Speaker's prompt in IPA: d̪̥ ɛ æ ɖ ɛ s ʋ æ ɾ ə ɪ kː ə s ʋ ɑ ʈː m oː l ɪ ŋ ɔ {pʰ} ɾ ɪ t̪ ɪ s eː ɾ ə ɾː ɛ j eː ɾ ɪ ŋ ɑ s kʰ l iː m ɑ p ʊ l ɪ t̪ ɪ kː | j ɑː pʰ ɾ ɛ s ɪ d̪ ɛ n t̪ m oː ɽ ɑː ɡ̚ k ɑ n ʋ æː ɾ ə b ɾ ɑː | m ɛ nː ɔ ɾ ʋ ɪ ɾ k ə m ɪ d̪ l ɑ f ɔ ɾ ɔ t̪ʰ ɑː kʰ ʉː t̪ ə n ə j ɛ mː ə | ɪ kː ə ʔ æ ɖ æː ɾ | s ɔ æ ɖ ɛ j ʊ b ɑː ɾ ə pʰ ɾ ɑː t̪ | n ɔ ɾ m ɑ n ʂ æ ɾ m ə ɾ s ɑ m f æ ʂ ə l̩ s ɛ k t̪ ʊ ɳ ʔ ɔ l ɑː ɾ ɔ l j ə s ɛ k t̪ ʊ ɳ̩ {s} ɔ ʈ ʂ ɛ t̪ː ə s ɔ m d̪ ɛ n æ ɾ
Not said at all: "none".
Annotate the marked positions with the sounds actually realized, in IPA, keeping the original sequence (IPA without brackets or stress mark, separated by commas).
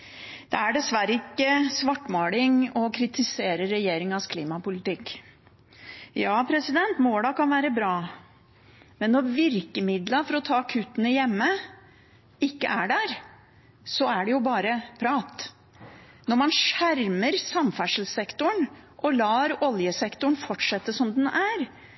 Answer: kʰ, f